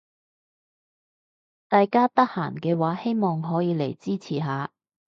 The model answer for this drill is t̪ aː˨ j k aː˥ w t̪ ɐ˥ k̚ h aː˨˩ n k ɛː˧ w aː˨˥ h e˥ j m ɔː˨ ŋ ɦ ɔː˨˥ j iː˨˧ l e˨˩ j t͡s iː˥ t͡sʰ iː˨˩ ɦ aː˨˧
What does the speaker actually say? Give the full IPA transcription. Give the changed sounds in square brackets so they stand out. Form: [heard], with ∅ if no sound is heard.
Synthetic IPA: t̪ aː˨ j k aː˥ [∅] t̪ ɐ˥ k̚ h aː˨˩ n k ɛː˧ w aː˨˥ h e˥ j m ɔː˨ ŋ ɦ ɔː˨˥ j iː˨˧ l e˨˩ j t͡s iː˥ t͡sʰ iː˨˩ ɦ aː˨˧